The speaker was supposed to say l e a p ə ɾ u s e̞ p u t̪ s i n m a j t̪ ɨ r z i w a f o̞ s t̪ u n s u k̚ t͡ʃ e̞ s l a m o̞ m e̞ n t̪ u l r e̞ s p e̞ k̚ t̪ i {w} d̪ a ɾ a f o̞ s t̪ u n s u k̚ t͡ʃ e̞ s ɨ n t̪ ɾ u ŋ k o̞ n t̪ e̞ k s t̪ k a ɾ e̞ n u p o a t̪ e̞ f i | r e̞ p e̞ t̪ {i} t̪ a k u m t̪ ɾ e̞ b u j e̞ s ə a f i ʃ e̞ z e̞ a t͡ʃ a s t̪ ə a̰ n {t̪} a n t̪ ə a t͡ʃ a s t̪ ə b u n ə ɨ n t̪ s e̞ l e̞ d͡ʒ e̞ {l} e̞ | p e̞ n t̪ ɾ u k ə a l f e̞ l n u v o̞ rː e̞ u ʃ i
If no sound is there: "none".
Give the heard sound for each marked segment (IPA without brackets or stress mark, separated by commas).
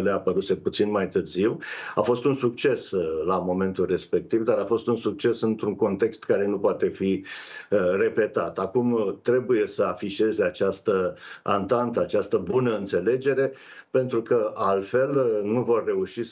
v, a, t̪, ɾ